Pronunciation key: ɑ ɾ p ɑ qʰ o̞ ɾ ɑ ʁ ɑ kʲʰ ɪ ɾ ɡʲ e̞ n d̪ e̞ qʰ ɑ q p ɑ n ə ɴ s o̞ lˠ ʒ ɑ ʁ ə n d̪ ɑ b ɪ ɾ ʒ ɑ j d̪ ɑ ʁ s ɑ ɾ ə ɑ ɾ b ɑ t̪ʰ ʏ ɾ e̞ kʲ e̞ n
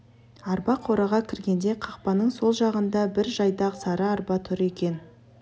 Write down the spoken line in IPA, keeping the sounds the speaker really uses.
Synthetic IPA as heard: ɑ ɾ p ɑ qʰ o̞ ɾ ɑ ʁ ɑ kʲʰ ɪ ɾ ɡʲ e̞ n d̪ e̞ qʰ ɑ q p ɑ n ə ɴ s o̞ lˠ ʒ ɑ ʁ ə n d̪ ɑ b ɪ ɾ ʒ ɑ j d̪ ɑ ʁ s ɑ ɾ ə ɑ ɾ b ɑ t̪ʰ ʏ ɾ e̞ kʲ e̞ n